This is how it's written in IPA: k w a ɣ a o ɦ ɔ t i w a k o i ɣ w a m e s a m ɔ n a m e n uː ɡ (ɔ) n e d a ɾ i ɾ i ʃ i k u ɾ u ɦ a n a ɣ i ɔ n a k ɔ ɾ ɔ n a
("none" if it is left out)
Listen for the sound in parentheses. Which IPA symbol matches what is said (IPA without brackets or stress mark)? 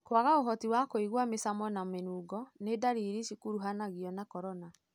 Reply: ɔ